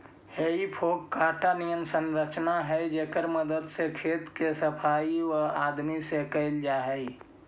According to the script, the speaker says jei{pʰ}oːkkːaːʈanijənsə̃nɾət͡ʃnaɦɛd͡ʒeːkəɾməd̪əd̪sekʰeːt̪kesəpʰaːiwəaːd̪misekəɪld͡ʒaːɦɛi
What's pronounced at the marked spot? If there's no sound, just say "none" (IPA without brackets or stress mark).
pʰ